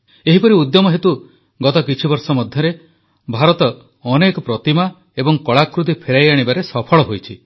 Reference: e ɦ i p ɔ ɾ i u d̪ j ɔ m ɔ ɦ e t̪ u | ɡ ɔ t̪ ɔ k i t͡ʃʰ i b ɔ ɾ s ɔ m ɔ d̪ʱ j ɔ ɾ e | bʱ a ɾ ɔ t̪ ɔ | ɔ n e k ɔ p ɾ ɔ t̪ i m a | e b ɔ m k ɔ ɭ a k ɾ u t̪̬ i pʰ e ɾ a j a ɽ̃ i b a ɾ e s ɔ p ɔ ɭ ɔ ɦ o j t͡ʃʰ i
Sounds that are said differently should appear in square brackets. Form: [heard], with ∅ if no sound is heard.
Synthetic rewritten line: e ɦ i p ɔ ɾ i u d̪ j ɔ m ɔ ɦ e t̪ u | ɡ ɔ t̪ ɔ k i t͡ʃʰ i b ɔ ɾ s ɔ m ɔ d̪ʱ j ɔ ɾ e | bʱ a ɾ ɔ t̪ ɔ | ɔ n e k ɔ p ɾ ɔ t̪ i m a | e b ɔ [ŋ] k ɔ ɭ a k ɾ u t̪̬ i pʰ e ɾ a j a ɽ̃ i b a ɾ e s ɔ [pʰ] ɔ ɭ ɔ ɦ o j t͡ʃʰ i